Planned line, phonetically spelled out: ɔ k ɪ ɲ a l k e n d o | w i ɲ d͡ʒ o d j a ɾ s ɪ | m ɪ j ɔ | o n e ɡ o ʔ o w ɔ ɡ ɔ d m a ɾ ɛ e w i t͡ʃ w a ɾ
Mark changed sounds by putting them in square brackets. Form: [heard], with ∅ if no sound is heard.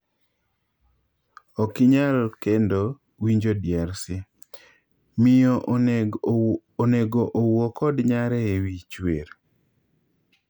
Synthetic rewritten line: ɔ k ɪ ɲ a l k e n d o | w i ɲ d͡ʒ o d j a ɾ s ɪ | m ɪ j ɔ | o n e ɡ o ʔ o w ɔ [k] ɔ d [ɲ] a ɾ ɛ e w i t͡ʃ w [e] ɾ